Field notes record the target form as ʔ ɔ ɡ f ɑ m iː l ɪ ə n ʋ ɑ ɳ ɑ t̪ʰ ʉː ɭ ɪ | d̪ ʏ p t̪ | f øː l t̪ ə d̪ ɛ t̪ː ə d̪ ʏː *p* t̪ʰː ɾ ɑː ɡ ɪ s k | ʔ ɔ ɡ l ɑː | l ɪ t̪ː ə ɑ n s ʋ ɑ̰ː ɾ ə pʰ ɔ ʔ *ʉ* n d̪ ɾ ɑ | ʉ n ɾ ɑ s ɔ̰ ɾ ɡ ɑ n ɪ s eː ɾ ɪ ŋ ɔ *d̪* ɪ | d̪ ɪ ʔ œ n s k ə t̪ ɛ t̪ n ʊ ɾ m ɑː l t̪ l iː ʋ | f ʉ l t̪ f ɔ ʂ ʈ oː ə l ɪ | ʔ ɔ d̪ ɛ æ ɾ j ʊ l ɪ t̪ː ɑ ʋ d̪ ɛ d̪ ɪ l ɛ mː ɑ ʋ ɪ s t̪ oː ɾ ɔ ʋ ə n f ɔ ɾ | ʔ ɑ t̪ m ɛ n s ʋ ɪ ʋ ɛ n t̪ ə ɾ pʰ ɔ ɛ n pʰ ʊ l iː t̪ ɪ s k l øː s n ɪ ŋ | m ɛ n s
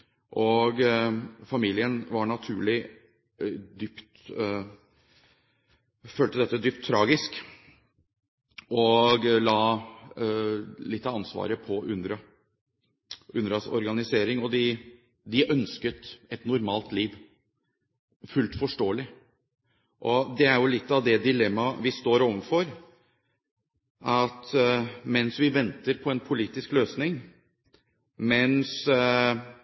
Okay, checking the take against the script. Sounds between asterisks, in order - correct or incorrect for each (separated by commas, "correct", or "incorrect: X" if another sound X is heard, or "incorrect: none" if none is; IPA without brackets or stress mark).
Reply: correct, correct, correct